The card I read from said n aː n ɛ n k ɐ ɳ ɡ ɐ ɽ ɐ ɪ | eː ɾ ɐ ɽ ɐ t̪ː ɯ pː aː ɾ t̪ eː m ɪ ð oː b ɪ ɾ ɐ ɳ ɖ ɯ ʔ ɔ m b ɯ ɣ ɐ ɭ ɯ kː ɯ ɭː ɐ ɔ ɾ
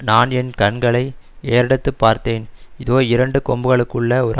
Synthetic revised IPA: n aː n ɛ n k ɐ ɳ ɡ ɐ ɭ ɐ ɪ | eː ɾ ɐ ɽ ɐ t̪ː ɯ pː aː ɾ t̪ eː n ɪ ð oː ɪ ɾ ɐ ɳ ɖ ɯ k ɔ m b ɯ ɣ ɐ ɭ ɯ kː ɯ ɭː ɐ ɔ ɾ